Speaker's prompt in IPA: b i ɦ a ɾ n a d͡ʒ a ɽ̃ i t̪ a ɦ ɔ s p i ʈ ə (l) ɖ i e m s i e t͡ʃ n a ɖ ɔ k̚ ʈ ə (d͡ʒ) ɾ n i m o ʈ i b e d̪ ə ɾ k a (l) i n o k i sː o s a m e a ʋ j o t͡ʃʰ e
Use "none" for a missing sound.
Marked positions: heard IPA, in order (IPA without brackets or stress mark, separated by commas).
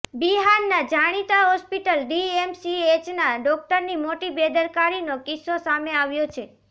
l, none, ɾ